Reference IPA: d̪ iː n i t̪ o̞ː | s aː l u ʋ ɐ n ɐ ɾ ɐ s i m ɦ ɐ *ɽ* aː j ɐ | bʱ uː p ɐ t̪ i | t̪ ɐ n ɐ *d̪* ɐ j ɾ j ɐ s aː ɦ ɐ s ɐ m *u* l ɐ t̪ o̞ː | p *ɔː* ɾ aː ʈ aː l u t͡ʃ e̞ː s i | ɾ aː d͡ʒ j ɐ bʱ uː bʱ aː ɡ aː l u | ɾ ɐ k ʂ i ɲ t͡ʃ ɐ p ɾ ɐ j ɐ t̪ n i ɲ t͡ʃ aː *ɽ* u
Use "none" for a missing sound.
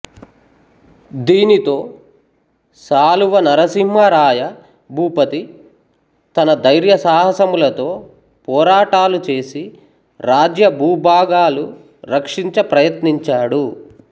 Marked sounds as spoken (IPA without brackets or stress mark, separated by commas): ɾ, d̪, u, ɔː, ɽ